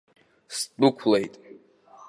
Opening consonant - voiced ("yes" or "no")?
no